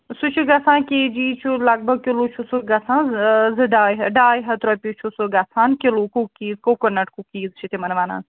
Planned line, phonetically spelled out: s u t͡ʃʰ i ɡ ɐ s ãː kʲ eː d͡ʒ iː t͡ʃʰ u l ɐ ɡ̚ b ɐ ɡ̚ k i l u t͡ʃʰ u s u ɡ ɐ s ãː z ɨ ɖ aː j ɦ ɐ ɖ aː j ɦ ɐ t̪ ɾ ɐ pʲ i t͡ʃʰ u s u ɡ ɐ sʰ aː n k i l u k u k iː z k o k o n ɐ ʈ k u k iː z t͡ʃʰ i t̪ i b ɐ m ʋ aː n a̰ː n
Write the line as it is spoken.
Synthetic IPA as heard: s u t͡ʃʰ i ɡ ɐ s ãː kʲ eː d͡ʒ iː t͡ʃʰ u l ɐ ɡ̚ b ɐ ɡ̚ k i l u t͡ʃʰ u s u ɡ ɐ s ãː z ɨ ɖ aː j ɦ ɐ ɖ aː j ɦ ɐ t̪ ɾ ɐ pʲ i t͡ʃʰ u s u ɡ ɐ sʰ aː n k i l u k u k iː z k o k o n ɐ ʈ k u k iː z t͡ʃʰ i t̪ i m ɐ n ʋ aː n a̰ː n

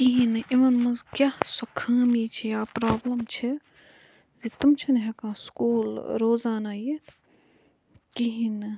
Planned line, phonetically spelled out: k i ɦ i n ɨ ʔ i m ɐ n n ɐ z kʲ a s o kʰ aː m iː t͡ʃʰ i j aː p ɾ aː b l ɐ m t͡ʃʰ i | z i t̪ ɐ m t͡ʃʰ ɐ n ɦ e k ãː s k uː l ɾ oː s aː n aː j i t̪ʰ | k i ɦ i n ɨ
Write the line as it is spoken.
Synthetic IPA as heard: k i ɦ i n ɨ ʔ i m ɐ n m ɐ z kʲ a s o kʰ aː m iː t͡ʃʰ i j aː p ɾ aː b l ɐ m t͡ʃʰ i | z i t̪ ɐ m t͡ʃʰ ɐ n ɦ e k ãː s k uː l ɾ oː z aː n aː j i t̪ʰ | k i ɦ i n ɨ

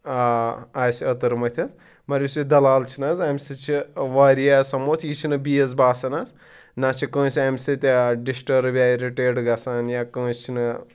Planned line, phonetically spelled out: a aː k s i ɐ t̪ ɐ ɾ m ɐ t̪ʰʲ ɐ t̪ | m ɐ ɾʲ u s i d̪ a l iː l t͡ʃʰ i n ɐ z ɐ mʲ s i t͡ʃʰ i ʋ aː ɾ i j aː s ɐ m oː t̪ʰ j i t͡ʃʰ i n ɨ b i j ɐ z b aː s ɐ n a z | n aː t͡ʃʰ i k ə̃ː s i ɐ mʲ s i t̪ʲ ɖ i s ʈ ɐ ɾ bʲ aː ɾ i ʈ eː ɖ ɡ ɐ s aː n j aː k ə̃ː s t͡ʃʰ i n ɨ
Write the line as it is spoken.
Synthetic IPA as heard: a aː s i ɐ t̪ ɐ ɾ m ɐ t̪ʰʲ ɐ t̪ | m ɐ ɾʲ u s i d̪ ɐ l aː l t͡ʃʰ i n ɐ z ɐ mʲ s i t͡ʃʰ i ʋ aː ɾ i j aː s ɐ m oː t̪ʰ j i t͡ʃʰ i n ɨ b i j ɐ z b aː s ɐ n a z | n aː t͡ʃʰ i k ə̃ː s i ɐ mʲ s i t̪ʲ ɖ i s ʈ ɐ ɾ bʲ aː ɾ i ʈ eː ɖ ɡ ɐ s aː n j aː k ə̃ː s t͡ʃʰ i n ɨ

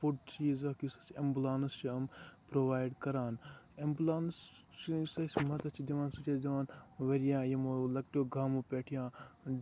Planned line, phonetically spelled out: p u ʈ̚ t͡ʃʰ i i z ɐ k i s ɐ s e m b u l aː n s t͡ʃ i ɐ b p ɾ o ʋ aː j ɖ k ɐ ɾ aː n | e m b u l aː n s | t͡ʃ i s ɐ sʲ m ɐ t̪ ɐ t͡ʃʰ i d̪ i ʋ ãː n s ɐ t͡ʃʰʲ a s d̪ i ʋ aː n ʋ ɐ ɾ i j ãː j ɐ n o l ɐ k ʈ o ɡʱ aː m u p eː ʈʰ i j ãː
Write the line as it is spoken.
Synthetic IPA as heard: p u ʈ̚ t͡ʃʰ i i z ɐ k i s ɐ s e m b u l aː n s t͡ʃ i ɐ m p ɾ o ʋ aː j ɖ k ɐ ɾ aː n | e m b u l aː n s | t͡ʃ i s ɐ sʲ m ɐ t̪ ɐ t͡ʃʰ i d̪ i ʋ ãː n s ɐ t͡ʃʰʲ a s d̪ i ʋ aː n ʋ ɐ ɾ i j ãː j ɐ m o l ɐ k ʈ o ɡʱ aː m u p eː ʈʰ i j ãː

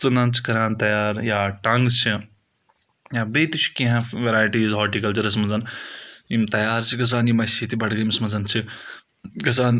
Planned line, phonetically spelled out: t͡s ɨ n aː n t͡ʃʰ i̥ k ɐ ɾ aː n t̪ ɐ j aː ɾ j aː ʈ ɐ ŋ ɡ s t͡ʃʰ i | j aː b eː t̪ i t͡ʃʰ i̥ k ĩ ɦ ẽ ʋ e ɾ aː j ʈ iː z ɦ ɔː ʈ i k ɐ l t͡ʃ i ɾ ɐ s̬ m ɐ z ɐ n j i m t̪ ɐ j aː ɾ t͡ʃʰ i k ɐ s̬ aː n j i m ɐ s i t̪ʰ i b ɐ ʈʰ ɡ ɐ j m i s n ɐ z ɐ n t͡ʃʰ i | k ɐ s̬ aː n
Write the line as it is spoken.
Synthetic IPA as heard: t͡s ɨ n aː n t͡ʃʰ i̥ k ɐ ɾ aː n t̪ ɐ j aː ɾ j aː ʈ ɐ ŋ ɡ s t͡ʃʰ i | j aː b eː t̪ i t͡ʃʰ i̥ k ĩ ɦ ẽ ʋ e ɾ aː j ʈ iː z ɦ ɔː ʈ i k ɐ l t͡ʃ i ɾ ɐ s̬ m ɐ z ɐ n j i m t̪ ɐ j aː ɾ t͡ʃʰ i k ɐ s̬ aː n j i m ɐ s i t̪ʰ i b ɐ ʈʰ ɡ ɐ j m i s m ɐ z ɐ n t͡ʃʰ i | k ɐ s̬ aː n

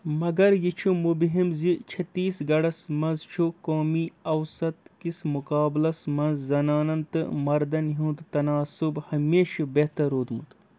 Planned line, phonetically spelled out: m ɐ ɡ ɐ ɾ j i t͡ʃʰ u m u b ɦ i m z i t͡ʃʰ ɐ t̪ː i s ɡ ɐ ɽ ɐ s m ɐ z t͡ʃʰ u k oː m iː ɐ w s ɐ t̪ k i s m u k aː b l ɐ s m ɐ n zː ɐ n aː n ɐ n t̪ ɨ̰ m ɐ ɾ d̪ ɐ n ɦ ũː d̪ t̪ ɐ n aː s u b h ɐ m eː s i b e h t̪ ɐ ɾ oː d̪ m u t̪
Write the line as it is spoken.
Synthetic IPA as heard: m ɐ ɡ ɐ ɾ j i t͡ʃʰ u m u b ɦ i m z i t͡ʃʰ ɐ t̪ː iː s ɡ ɐ ɽ ɐ s m ɐ z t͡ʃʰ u k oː m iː ɐ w s ɐ t̪ k i s m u k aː b l ɐ s m ɐ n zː ɐ n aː n ɐ n t̪ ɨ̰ m ɐ ɾ d̪ ɐ n ɦ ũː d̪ t̪ ɐ n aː s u b h ɐ m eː ʃ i b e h t̪ ɐ ɾ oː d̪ m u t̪

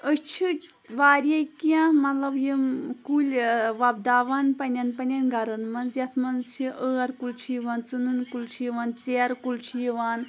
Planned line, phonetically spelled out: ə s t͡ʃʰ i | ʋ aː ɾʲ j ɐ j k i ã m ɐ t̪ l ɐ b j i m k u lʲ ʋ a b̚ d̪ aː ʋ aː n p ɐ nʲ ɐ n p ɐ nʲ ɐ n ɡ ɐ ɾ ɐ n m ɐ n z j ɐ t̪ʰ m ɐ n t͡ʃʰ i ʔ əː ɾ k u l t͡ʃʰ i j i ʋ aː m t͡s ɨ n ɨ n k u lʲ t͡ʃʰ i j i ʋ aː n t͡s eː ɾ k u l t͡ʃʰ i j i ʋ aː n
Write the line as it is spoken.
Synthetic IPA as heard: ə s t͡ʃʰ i | ʋ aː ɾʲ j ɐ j k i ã m ɐ t̪ l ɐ b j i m k u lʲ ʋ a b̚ d̪ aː ʋ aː n p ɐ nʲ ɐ n p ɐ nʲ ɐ n ɡ ɐ ɾ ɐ n m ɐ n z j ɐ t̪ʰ m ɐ n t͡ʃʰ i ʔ əː ɾ k u l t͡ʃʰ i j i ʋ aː n t͡s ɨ n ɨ n k u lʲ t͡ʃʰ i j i ʋ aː n t͡s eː ɾ k u l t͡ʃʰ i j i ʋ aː n

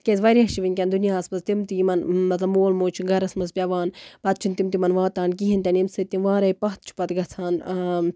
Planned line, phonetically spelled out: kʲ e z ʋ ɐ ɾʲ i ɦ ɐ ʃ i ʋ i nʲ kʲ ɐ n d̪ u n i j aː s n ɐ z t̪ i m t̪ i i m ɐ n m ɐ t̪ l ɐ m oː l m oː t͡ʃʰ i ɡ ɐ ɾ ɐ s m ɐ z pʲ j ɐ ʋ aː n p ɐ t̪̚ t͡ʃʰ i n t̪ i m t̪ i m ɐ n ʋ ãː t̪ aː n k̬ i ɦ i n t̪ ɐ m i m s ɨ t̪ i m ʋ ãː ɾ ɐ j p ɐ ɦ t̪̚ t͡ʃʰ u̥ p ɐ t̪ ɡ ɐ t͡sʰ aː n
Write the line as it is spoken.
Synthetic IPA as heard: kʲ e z ʋ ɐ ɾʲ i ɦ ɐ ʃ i ʋ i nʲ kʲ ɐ n d̪ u n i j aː s m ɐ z t̪ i m t̪ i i m ɐ n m ɐ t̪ l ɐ m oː l m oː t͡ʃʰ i ɡ ɐ ɾ ɐ s m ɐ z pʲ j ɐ ʋ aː n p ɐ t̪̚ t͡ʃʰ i n t̪ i m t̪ i m ɐ n ʋ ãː t̪ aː n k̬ i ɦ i n t̪ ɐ n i m s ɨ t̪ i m ʋ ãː ɾ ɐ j p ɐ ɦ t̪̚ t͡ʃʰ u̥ p ɐ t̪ ɡ ɐ t͡sʰ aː n

